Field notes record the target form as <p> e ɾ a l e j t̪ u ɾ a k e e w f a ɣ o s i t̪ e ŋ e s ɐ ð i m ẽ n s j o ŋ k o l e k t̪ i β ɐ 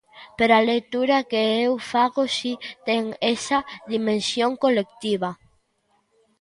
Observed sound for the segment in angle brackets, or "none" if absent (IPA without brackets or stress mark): p